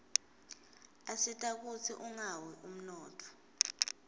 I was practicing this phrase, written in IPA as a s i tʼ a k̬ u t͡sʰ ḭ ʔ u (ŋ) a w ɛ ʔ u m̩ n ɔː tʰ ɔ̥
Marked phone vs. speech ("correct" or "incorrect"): correct